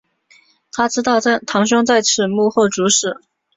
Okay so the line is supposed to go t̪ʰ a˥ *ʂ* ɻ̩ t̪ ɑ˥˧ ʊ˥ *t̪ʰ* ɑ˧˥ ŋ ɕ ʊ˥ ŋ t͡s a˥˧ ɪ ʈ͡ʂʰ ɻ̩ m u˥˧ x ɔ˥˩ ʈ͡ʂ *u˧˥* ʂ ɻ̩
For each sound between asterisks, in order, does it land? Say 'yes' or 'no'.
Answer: no, yes, yes

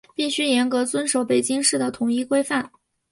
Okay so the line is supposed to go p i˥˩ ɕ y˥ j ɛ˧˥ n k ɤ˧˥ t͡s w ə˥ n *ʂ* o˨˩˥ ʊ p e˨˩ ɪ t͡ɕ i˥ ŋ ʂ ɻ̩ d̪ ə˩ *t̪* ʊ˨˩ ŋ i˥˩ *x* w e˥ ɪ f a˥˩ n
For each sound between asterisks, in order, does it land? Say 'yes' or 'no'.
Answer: yes, no, no

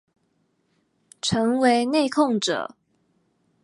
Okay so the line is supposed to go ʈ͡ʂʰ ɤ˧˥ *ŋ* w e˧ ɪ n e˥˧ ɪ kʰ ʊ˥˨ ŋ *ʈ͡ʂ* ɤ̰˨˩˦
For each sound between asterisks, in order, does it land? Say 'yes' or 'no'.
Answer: yes, yes

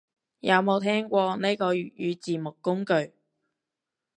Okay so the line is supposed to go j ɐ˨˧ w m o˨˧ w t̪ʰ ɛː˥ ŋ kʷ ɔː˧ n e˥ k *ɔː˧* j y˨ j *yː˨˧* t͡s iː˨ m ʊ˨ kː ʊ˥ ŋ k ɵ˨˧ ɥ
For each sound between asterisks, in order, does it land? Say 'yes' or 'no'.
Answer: yes, yes

